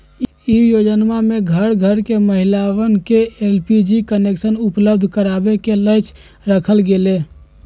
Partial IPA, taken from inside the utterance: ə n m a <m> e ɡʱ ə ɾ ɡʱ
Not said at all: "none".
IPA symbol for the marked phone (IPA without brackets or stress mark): m